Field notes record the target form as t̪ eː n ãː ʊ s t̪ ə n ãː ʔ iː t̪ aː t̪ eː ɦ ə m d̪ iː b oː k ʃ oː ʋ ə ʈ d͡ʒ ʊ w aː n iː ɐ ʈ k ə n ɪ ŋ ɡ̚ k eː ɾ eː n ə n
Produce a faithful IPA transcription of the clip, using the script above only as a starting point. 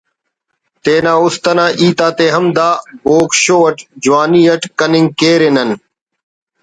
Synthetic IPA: t̪ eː n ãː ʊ s t̪ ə n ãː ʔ iː t̪ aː t̪ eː ɦ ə m d̪ aː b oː k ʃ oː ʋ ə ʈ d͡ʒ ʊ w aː n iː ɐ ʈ k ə n ɪ ŋ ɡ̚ k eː ɾ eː n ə n